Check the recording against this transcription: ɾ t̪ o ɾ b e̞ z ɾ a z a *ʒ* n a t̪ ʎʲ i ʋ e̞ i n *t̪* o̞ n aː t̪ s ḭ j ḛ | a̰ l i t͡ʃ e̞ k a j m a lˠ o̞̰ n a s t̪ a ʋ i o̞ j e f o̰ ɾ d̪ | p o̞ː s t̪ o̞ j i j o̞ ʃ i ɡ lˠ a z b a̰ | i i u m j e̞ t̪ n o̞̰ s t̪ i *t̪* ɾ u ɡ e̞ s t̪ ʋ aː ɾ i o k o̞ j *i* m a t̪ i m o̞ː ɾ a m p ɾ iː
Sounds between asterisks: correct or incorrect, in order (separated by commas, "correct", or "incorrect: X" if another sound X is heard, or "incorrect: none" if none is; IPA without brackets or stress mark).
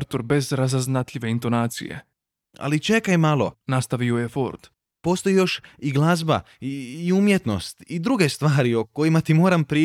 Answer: incorrect: z, correct, incorrect: d̪, correct